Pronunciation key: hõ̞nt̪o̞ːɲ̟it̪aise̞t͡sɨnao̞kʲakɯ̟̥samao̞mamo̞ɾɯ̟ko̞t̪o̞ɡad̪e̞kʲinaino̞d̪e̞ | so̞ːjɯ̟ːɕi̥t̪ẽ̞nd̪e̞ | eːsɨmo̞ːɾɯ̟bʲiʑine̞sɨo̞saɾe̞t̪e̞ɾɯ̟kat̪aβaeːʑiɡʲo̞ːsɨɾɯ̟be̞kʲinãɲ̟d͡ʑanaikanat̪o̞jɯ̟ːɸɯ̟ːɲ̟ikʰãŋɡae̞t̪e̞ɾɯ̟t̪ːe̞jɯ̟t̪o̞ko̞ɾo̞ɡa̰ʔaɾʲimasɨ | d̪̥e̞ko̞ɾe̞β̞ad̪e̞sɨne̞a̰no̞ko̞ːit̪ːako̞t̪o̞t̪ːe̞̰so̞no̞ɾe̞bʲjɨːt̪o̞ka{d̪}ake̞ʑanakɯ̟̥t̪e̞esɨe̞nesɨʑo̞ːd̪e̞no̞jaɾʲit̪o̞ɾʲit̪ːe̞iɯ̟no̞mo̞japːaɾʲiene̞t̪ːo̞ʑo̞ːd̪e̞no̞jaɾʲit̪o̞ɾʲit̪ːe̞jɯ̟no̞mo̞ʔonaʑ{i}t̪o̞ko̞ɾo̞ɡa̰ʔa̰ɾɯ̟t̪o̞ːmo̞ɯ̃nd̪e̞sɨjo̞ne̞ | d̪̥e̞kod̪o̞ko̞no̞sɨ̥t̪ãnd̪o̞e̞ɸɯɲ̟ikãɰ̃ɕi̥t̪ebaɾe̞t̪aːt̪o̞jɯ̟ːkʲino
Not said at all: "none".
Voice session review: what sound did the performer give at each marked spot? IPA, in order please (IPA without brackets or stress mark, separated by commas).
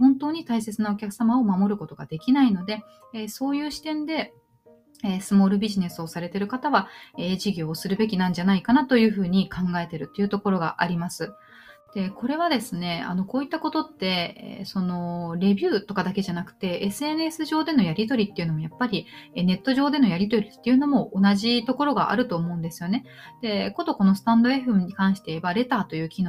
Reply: d̪, i